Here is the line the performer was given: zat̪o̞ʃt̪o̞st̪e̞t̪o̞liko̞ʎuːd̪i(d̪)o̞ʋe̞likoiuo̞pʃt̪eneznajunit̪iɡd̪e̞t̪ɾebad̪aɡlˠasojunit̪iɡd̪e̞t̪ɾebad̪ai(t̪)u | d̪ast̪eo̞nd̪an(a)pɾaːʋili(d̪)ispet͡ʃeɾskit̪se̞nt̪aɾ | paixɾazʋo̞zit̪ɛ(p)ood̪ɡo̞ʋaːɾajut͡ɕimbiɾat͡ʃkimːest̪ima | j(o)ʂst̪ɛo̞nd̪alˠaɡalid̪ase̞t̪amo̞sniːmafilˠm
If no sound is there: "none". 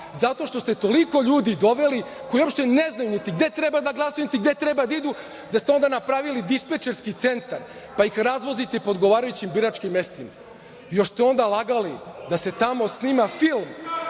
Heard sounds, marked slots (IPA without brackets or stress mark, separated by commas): d̪, d̪, a, d̪, p, o